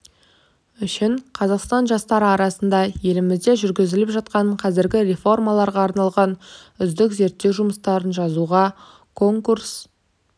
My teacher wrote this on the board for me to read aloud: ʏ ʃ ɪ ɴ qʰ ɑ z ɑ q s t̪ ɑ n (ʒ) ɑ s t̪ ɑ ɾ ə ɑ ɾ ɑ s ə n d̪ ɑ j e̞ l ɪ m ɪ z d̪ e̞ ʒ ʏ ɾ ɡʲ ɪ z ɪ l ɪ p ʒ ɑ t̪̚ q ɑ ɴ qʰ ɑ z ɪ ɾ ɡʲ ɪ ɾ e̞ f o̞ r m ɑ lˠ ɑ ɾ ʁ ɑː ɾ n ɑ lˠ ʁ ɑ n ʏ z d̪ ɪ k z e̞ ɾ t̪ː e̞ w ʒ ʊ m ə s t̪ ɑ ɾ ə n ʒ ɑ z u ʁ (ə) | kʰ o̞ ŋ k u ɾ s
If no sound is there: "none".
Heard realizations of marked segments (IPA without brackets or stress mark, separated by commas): ʒ, ɑ